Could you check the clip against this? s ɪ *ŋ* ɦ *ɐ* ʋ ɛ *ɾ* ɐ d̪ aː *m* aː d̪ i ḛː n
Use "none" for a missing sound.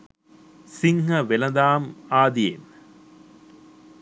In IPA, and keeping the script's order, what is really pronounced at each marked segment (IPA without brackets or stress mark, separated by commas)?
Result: ŋ, ɐ, l, m